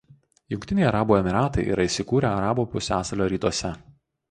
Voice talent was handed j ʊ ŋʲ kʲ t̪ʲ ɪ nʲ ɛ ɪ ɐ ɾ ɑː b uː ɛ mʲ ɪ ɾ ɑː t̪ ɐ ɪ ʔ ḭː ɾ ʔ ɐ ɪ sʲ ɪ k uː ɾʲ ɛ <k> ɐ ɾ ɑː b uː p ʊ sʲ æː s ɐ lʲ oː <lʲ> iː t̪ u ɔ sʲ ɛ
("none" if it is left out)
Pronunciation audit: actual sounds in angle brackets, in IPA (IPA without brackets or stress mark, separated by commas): none, ɾʲ